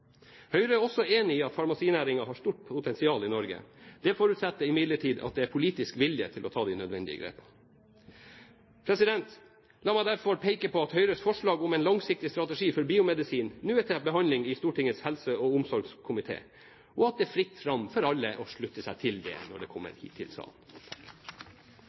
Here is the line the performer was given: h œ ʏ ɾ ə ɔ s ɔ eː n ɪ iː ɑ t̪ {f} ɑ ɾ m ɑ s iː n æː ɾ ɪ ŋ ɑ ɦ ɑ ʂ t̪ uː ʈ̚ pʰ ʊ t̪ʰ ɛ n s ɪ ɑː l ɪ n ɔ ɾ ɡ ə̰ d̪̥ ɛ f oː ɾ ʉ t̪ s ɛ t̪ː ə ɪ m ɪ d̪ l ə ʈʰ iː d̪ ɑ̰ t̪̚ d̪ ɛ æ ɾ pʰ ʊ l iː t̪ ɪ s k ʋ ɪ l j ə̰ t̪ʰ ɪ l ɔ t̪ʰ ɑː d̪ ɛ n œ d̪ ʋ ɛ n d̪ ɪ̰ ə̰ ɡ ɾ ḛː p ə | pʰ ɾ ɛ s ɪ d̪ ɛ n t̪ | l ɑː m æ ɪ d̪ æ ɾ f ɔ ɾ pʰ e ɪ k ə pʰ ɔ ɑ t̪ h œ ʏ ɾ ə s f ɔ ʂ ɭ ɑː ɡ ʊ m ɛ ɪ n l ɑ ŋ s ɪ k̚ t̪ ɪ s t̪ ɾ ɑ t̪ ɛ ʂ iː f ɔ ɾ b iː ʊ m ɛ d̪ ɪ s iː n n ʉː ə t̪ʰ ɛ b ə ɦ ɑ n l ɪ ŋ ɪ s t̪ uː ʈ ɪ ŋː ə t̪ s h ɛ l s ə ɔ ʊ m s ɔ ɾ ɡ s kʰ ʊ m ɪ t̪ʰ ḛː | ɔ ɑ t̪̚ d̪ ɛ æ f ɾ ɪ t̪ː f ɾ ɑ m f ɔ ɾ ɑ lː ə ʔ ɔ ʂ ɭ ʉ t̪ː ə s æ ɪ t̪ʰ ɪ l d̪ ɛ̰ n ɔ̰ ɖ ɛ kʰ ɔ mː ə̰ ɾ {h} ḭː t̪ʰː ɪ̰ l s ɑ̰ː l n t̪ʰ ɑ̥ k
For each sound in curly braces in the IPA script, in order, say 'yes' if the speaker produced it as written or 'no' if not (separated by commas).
yes, yes